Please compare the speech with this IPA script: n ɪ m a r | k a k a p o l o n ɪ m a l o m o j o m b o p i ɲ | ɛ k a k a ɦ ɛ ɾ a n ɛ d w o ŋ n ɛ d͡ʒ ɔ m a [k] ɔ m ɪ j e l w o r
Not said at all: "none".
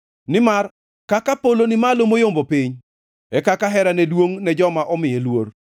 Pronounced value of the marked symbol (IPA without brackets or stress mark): ʔ